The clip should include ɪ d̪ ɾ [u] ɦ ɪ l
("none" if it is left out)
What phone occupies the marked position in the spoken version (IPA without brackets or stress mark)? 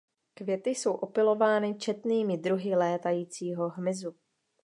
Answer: u